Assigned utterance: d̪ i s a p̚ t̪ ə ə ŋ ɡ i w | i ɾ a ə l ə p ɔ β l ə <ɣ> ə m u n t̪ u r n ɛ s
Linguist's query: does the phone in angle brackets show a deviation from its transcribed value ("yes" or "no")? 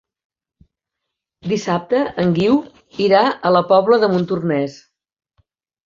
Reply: yes